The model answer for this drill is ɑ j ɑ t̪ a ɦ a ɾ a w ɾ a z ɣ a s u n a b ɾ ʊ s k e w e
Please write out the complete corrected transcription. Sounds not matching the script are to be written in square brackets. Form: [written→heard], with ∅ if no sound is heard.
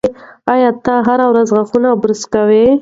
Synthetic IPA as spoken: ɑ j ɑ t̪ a ɦ a ɾ a w ɾ a z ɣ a [s→x] u n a b ɾ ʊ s k [e→a] w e